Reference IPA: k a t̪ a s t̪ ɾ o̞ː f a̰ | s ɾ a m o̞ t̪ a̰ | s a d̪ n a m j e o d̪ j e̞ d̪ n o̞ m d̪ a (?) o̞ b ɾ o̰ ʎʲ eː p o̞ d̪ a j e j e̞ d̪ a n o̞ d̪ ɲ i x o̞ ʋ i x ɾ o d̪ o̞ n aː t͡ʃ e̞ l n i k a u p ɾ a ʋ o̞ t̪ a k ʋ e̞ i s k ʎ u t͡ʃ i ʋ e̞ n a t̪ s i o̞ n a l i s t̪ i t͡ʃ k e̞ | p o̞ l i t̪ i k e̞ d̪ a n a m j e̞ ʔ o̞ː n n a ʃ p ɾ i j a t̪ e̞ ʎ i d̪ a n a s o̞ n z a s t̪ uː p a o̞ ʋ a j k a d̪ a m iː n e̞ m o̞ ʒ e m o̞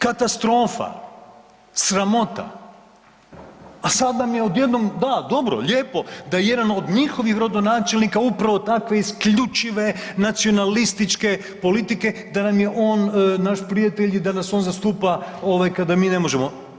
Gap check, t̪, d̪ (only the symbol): d̪